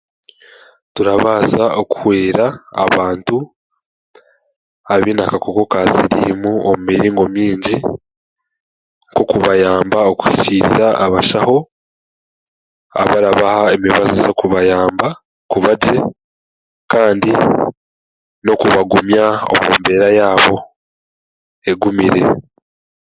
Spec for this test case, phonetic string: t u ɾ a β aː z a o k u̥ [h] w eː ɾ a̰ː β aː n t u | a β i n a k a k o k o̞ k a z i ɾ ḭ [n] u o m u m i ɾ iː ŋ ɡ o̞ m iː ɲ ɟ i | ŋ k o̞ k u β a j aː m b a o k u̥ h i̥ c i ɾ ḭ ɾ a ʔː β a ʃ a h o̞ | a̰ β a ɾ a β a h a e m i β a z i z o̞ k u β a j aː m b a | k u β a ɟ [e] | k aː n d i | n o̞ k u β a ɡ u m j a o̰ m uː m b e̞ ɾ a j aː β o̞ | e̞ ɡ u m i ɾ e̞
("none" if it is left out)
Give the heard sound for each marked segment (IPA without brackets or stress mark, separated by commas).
h, m, e